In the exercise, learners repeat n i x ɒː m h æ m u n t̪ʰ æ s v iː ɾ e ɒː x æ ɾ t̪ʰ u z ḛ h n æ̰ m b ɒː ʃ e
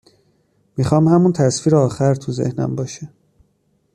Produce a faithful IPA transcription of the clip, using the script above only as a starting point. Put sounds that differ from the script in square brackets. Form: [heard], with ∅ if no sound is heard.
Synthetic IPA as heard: [m] i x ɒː m h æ m u n t̪ʰ æ s [f] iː ɾ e ɒː x æ ɾ t̪ʰ u z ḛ h n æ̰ m b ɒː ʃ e